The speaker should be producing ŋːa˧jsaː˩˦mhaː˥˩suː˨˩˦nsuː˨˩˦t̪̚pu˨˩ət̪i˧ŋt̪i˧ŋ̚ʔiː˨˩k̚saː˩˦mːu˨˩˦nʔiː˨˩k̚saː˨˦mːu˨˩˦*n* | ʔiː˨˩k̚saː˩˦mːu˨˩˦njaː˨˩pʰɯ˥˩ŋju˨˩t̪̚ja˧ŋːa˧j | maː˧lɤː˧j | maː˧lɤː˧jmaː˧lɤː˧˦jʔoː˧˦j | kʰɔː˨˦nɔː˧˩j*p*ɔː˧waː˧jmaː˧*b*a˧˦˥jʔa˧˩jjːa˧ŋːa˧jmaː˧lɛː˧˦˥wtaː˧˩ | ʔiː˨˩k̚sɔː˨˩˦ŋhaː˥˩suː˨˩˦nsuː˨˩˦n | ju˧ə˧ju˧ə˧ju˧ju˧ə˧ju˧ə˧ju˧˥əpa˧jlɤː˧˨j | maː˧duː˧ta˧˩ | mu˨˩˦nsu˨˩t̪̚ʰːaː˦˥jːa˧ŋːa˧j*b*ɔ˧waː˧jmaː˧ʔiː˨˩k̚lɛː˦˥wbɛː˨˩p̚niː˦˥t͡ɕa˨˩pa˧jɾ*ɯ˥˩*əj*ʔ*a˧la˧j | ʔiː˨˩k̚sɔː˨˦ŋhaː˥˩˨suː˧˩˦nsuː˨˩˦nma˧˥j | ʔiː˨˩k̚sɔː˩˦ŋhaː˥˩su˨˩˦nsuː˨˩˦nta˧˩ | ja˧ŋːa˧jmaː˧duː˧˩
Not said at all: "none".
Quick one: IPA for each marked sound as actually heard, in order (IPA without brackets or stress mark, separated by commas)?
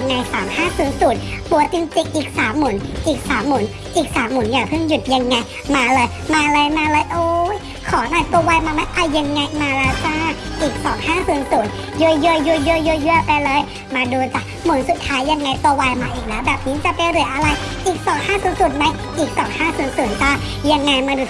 n, p, m, p, ɯ˨˩˦, ʔ